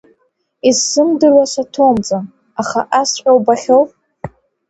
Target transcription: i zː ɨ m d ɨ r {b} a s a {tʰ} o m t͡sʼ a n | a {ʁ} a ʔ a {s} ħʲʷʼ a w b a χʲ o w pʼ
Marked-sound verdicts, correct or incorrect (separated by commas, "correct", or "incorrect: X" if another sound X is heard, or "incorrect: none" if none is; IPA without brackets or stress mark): incorrect: w, correct, incorrect: χ, correct